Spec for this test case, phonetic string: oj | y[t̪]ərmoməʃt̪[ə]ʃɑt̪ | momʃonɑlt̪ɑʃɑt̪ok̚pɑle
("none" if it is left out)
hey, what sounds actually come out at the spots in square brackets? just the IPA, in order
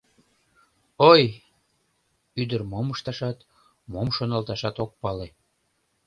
d̪, ɑ

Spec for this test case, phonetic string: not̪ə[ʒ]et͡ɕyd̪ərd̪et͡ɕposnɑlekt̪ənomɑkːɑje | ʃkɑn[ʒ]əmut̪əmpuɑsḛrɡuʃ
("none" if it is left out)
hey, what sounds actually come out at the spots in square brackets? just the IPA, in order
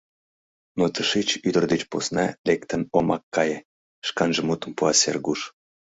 ʃ, ʒ

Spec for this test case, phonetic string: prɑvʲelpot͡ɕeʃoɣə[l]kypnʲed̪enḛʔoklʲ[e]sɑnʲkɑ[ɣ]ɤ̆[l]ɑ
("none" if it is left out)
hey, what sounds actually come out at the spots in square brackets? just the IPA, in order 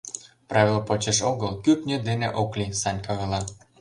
l, i, ɣ, l

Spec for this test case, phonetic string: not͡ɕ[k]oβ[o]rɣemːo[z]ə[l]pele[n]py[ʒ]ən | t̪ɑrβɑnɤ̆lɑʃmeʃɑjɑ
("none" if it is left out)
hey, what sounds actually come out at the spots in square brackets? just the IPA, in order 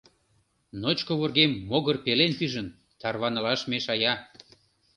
k, o, ɣ, r, n, ʒ

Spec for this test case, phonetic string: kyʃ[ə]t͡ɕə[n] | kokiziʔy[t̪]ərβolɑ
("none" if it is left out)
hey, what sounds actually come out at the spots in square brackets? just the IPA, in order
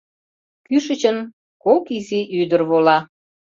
ə, n, d̪

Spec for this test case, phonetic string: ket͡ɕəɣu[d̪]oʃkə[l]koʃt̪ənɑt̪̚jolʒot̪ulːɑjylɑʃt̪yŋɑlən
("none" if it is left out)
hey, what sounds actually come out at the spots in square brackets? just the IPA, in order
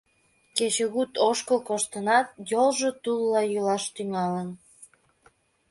t̪, l

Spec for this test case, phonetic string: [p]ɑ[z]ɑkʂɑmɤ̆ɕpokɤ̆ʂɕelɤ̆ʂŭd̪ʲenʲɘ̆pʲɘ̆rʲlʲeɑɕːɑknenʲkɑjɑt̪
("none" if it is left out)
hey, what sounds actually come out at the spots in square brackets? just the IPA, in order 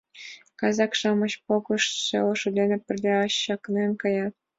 k, z

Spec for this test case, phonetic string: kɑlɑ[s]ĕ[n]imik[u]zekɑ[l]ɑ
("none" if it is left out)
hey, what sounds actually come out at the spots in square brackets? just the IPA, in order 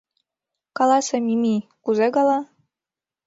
s, m, u, l

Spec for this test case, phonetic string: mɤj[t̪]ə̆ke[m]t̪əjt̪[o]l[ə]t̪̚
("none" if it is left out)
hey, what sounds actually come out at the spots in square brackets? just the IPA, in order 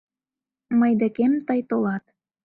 d̪, m, o, ɑ

